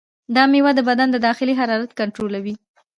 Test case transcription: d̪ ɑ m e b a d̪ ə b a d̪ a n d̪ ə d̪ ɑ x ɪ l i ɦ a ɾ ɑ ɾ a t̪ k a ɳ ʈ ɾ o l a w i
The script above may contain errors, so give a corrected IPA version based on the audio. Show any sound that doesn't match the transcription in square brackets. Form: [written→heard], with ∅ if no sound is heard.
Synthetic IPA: d̪ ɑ m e [b→w] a d̪ ə b a d̪ a n d̪ ə d̪ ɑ x ɪ l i ɦ a ɾ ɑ ɾ a t̪ k a ɳ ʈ ɾ o l a w i